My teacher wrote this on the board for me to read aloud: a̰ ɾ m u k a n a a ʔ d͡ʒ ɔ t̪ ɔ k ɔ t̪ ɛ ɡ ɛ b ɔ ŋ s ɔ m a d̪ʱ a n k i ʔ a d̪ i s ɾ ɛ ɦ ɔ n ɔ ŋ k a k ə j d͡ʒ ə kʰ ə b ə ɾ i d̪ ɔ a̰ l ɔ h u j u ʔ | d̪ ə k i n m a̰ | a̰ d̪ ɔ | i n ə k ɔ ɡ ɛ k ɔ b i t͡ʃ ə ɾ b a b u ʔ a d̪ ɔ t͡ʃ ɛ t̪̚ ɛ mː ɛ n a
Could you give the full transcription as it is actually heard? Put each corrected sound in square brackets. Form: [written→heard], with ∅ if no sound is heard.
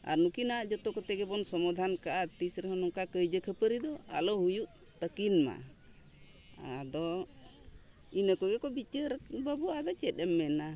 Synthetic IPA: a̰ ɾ [m→n] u k [a→i] n a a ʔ d͡ʒ ɔ t̪ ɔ k ɔ t̪ ɛ ɡ ɛ b ɔ [ŋ→n] s ɔ m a d̪ʱ a n k [i→a] ʔ a [d̪→t̪] i s ɾ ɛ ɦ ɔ n ɔ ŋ k a k ə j d͡ʒ ə kʰ ə [b→p] ə ɾ i d̪ ɔ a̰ l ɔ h u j u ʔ | [d̪→t̪] ə k i n m a̰ | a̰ d̪ ɔ | i n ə k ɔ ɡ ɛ k ɔ b i t͡ʃ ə ɾ b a b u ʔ a d̪ ɔ t͡ʃ ɛ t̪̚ ɛ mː ɛ n a